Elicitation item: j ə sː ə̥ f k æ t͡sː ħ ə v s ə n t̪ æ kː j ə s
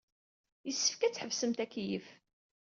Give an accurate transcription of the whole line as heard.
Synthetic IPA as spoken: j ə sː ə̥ f k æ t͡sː ħ ə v s ə m t̪ æ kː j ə f

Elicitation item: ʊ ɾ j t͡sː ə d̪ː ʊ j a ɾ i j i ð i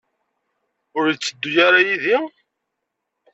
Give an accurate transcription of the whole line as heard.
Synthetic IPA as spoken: ʊ ɾ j t͡sː ə d̪ː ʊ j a ɾ a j i ð i

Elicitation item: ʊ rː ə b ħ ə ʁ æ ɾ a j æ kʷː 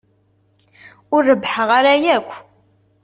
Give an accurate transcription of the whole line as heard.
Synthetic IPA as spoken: ʊ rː ə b ħ ə ʁ a ɾ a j æ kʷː

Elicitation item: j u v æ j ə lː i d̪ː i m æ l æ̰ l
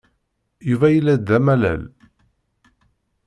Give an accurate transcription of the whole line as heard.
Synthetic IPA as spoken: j u v æ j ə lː æ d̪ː æ m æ l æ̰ l

